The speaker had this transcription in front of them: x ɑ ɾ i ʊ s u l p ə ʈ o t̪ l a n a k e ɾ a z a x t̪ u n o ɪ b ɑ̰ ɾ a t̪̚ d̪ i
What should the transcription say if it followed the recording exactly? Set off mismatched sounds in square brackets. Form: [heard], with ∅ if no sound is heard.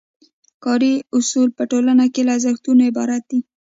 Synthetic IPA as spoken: [k] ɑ ɾ i ʊ s u l p ə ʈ o [∅] l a n a k e [l] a z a x t̪ u n o ɪ b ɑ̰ ɾ a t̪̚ d̪ i